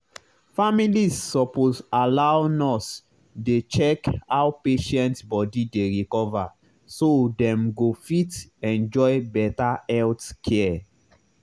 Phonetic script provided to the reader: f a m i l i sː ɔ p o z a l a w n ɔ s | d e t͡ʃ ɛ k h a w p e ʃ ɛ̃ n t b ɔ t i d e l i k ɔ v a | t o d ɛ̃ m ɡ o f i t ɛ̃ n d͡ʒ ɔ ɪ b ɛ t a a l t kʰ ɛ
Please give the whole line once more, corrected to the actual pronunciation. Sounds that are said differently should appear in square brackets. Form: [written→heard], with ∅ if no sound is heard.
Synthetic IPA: f a m i l i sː ɔ p o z a l a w n ɔ s | d e t͡ʃ ɛ k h a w p e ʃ ɛ̃ n t b ɔ [t→d] i d e [l→ɹ] i k ɔ v a | [t→s] o d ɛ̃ m ɡ o f i t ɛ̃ n d͡ʒ ɔ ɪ b ɛ t a [a→ɛ] l t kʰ ɛ